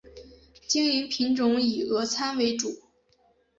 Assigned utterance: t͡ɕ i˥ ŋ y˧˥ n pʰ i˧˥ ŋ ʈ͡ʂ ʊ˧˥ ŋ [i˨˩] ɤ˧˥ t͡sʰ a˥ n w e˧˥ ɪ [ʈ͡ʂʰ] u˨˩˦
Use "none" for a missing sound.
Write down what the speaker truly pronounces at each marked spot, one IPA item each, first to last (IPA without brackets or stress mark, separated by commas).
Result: i˨˩, ʈ͡ʂ